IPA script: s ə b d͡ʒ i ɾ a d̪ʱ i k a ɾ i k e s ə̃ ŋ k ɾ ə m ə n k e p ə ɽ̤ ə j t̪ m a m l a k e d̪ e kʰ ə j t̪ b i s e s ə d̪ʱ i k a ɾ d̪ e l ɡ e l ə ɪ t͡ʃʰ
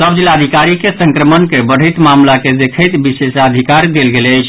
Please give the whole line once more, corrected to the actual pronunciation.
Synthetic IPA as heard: s ə b d͡ʒ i l a d̪ʱ i k a ɾ i k e s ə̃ ŋ k ɾ ə m ə n k e b ə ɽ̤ ə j t̪ m a m l a k e d̪ e kʰ ə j t̪ b i s e s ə d̪ʱ i k a ɾ d̪ e l ɡ e l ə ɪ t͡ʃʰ